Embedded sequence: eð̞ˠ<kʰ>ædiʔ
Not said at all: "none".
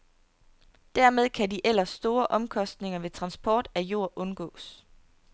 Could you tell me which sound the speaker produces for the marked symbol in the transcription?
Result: kʰ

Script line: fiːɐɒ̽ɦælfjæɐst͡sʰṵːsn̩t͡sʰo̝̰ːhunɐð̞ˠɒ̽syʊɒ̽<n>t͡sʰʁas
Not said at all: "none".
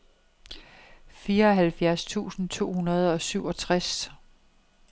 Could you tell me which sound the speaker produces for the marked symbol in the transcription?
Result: none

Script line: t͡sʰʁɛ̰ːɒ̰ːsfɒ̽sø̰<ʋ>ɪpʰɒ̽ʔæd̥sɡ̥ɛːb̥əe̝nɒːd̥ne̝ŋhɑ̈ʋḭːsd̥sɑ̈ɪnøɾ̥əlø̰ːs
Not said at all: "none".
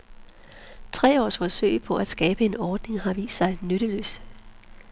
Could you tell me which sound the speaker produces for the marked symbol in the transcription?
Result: none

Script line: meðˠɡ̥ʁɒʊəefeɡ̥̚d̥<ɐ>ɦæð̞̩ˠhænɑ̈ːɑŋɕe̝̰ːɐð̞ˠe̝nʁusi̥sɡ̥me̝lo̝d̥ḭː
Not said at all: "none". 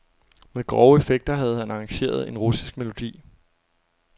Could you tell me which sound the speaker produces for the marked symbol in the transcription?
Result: ɐ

